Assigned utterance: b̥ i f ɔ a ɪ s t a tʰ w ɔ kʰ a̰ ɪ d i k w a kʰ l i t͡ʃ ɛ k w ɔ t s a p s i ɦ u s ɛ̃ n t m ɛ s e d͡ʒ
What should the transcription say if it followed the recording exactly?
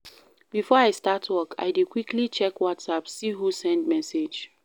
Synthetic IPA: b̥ i f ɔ a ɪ s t a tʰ w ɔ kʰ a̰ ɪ d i k w i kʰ l i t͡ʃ ɛ k w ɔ t s a p s i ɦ u s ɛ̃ n d m ɛ s e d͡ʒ